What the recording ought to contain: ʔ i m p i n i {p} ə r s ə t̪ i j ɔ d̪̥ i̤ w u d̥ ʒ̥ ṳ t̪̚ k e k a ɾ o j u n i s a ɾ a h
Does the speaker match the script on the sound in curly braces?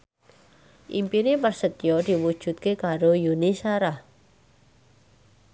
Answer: yes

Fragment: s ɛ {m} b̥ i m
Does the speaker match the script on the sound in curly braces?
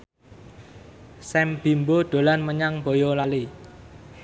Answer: yes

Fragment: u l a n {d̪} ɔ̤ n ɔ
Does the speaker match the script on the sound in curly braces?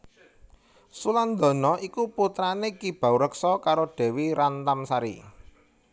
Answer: yes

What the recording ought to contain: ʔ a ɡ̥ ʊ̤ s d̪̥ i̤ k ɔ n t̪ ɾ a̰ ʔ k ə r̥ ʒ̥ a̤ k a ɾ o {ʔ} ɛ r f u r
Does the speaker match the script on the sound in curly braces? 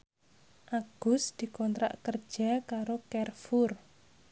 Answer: no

